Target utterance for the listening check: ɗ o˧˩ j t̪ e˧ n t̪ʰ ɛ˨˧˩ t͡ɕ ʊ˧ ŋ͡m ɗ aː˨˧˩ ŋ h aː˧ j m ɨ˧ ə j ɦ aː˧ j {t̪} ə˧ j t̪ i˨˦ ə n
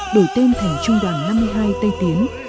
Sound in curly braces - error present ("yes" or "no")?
no